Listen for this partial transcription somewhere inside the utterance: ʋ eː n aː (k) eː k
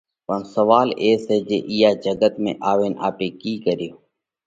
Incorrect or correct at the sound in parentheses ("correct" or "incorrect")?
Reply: incorrect